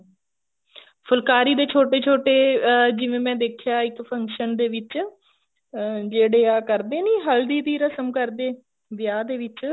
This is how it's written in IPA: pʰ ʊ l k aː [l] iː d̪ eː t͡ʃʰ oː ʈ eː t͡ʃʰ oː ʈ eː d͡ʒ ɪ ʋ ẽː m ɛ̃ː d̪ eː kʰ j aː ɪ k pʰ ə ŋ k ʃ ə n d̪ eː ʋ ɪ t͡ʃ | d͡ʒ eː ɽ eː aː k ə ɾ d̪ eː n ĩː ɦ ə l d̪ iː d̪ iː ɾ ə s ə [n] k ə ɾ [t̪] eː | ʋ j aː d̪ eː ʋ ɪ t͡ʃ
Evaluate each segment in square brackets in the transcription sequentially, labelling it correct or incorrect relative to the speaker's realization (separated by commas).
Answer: incorrect, incorrect, incorrect